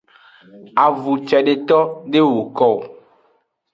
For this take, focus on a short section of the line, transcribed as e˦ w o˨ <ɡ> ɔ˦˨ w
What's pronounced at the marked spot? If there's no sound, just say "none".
k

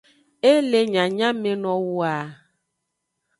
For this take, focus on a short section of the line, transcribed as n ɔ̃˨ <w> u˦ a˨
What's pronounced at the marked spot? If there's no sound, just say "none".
w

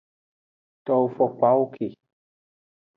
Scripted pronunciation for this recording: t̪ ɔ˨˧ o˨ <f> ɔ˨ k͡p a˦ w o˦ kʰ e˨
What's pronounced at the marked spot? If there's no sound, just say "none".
f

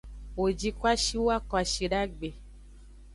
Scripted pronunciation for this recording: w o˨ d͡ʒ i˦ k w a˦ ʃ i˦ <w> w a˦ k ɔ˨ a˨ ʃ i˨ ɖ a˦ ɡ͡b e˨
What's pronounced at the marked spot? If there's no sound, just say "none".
w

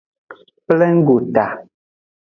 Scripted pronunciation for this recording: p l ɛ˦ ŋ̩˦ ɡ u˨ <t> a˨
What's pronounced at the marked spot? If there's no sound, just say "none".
t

